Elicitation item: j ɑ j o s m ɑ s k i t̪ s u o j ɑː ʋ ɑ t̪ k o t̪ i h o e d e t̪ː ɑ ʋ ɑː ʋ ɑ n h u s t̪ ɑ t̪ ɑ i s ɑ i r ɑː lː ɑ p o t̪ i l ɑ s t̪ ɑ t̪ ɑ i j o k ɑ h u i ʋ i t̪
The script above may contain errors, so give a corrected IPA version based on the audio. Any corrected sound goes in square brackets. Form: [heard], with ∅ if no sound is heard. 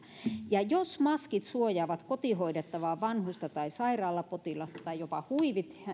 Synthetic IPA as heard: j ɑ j o s m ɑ s k i t̪ s u o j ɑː ʋ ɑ t̪ k o t̪ i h o [i] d e t̪ː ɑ ʋ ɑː ʋ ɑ n h u s t̪ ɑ t̪ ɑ i s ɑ i r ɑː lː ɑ p o t̪ i l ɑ s t̪ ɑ t̪ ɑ i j o [p] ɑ h u i ʋ i t̪